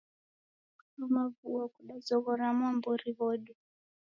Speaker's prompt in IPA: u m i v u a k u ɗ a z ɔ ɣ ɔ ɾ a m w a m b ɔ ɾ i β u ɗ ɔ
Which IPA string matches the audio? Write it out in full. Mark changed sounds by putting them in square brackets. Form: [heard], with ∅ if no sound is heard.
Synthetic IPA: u m [a] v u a k u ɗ a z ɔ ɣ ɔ ɾ a m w a m b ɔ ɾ i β [ɔ] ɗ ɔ